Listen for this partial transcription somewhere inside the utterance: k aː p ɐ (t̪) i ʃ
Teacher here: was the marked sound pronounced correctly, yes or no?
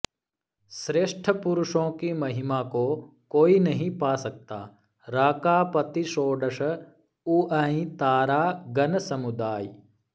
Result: yes